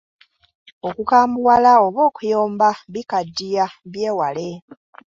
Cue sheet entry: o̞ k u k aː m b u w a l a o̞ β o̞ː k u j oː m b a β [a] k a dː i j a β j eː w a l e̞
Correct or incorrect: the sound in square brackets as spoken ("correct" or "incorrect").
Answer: incorrect